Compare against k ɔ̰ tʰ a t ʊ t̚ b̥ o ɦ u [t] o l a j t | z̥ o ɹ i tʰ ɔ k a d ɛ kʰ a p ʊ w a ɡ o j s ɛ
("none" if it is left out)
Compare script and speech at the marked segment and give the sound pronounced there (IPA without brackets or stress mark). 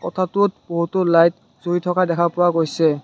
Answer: t